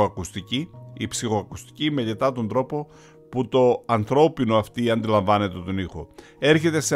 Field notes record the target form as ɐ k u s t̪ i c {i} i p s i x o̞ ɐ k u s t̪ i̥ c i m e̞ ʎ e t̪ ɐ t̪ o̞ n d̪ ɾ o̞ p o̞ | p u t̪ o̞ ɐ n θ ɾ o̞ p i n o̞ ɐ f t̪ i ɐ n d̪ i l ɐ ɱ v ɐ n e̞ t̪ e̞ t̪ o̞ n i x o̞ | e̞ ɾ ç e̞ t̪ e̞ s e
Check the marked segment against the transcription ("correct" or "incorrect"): correct